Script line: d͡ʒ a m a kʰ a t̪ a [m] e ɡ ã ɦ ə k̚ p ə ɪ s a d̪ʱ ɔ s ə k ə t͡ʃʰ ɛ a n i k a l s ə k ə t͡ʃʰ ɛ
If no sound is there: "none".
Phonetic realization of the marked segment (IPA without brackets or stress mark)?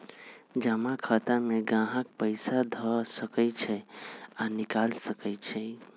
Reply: m